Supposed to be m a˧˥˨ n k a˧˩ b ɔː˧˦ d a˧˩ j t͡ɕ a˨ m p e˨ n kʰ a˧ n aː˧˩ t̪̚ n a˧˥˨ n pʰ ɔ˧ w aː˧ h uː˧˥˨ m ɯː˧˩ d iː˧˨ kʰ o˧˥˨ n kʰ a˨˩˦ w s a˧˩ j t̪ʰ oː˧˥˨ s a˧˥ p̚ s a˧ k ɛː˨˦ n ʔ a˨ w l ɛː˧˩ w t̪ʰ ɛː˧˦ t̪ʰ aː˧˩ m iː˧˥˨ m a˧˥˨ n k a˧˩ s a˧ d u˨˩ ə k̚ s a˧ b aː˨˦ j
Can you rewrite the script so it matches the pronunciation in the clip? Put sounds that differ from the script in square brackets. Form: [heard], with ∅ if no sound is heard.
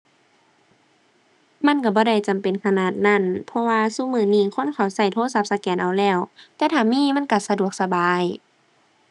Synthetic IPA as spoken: m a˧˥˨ n k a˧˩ b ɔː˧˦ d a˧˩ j t͡ɕ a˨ m p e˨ n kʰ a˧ n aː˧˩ t̪̚ n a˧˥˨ n pʰ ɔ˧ w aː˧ [s] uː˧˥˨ m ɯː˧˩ [n] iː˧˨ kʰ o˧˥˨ n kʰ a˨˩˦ w s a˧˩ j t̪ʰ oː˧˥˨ s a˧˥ p̚ s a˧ k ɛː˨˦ n ʔ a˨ w l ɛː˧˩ w [t̪] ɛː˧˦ t̪ʰ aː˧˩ m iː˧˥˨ m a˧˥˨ n k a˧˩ s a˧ d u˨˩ ə k̚ s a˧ b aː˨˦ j